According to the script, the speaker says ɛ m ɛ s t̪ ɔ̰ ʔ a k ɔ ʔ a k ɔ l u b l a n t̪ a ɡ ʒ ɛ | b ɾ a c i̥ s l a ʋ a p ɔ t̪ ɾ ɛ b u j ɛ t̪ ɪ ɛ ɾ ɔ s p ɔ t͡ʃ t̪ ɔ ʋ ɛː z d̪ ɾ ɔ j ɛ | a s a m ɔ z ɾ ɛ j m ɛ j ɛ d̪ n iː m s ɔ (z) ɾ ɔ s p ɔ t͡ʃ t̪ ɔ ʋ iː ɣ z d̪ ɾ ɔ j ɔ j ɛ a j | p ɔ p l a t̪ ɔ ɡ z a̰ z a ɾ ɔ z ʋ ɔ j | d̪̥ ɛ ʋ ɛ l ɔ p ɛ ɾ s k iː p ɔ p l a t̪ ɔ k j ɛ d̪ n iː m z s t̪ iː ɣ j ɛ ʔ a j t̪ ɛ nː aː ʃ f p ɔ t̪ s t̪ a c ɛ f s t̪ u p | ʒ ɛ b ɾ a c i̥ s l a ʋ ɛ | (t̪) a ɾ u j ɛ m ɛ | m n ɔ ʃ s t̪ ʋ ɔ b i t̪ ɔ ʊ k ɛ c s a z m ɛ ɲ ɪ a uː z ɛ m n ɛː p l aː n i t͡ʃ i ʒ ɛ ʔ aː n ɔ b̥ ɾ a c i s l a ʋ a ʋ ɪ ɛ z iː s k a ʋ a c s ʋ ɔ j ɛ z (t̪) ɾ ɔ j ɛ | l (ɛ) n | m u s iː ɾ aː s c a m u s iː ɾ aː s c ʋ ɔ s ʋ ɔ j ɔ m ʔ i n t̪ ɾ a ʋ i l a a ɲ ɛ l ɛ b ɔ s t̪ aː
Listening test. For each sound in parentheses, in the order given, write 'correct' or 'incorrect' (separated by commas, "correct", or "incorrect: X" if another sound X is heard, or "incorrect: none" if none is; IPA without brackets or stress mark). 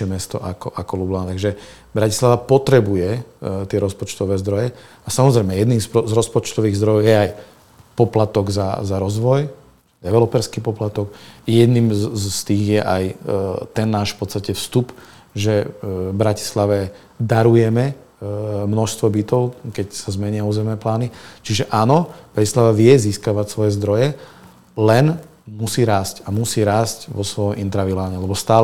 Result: correct, incorrect: d̪, incorrect: d̪, correct